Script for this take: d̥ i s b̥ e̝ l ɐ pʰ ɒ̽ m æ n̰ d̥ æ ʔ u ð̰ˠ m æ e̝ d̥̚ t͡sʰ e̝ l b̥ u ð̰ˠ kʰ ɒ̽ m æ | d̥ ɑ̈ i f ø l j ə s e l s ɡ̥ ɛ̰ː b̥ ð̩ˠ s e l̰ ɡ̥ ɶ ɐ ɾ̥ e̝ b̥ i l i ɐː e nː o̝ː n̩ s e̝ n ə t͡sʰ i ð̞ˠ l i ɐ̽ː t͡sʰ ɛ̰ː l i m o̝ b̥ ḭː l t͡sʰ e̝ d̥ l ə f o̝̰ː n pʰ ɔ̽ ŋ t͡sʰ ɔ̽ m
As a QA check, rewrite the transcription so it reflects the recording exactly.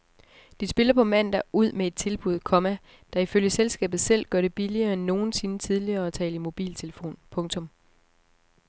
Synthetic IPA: d̥ i s b̥ e̝ l ɐ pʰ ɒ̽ m æ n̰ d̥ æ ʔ u ð̰ˠ m e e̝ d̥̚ t͡sʰ e̝ l b̥ u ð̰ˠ kʰ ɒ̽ m æ | d̥ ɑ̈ i f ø l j ə s e l s ɡ̥ ɛ̰ː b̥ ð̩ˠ s e l̰ ɡ̥ ɶ ɐ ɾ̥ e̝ b̥ i l i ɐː e nː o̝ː n̩ s e̝ n ə t͡sʰ i ð̞ˠ l i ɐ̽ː t͡sʰ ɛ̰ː l i m o̝ b̥ ḭː l t͡sʰ e̝ l ə f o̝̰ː n pʰ ɔ̽ ŋ t͡sʰ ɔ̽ m